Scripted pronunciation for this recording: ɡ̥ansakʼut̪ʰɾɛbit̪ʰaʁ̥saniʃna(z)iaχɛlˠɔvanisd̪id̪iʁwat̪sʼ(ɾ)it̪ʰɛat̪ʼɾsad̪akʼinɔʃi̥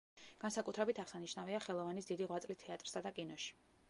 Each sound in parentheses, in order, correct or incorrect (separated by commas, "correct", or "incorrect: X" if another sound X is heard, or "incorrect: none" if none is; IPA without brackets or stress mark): incorrect: v, incorrect: l